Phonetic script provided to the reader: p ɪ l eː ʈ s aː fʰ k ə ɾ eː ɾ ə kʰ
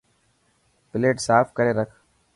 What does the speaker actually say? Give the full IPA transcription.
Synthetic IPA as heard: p ɪ l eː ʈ s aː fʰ k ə ɾ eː ɾ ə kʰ